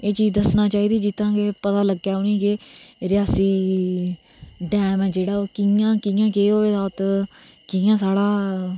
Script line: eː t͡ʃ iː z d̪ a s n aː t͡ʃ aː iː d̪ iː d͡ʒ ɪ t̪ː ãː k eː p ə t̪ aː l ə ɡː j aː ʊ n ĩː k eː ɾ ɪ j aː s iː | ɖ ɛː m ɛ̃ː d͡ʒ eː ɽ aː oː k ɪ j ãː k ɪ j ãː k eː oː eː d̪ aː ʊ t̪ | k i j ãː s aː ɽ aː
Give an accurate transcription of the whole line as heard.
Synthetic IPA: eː t͡ʃ iː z d̪ ə s n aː t͡ʃ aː iː d̪ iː d͡ʒ ɪ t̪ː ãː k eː p ə t̪ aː l ə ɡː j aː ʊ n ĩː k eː ɾ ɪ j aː s iː | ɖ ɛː m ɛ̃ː d͡ʒ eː ɽ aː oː k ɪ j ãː k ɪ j ãː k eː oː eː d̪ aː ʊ t̪ | k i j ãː s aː ɽ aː